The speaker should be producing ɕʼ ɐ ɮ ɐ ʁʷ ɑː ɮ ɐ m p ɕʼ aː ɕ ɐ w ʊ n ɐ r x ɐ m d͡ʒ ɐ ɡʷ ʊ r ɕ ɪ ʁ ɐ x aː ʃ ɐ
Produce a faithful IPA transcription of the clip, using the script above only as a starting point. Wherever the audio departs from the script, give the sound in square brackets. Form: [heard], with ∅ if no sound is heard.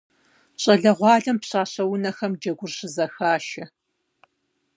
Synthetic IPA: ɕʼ ɐ ɮ ɐ ʁʷ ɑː ɮ ɐ m p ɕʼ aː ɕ ɐ w ʊ n ɐ [∅] x ɐ m d͡ʒ ɐ ɡʷ ʊ r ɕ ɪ [z] ɐ x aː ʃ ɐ